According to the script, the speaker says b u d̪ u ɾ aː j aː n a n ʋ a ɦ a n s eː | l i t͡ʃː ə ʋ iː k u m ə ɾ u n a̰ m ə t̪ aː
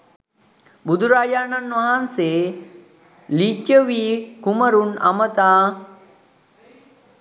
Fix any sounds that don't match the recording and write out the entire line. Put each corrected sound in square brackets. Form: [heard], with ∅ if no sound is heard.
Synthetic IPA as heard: b u d̪ u ɾ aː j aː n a n ʋ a ɦ a n s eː | l i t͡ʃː ə ʋ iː k u m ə ɾ u n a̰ m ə t̪ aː